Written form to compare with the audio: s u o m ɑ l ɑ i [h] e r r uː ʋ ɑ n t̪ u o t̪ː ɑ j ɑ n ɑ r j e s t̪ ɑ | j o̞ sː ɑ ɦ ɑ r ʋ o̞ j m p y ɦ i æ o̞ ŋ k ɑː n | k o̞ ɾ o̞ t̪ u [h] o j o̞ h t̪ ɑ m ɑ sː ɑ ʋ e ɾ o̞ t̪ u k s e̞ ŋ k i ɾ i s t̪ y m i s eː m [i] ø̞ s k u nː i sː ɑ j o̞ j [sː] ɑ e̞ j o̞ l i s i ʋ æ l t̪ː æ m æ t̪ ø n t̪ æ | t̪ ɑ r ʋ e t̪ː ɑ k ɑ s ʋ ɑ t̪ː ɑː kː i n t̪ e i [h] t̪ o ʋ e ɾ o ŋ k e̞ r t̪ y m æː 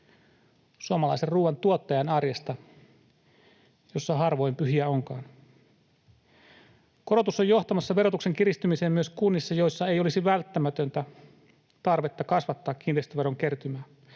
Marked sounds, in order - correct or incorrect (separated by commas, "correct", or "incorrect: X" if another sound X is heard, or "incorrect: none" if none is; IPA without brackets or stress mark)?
incorrect: s, incorrect: s, incorrect: y, correct, incorrect: s